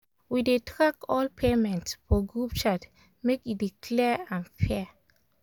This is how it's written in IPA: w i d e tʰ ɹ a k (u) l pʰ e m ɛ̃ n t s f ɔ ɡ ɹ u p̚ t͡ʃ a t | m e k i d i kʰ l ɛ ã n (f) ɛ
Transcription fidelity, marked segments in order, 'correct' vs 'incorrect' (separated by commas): incorrect, correct